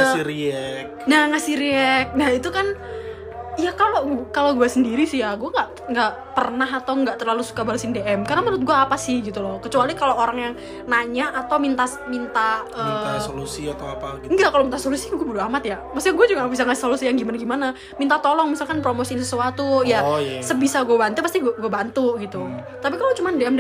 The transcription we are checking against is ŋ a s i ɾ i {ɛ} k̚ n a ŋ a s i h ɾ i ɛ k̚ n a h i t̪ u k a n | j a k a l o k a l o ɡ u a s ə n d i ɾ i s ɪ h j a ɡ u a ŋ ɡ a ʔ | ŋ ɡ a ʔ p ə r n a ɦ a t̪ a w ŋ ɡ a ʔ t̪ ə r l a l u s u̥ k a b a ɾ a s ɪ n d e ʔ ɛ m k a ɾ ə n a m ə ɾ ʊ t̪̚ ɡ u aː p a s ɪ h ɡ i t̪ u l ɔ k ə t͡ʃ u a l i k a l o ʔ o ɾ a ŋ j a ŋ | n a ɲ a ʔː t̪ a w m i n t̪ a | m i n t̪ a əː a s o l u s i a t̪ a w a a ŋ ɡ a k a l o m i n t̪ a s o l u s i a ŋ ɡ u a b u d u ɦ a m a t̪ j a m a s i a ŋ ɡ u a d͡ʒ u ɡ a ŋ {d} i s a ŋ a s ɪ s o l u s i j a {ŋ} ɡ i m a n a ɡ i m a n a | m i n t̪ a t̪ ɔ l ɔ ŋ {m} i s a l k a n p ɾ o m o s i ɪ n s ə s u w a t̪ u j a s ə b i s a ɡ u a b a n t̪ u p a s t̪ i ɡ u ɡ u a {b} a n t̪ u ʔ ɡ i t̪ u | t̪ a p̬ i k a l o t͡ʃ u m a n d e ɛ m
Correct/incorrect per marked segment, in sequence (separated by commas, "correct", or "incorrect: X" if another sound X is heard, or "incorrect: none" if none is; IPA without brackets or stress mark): correct, incorrect: b, correct, correct, correct